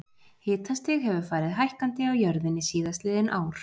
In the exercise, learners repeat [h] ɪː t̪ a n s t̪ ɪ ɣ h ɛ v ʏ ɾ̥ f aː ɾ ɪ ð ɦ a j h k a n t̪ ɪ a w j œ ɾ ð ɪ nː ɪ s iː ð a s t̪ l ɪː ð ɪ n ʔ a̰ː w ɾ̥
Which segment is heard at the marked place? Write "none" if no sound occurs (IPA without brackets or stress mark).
h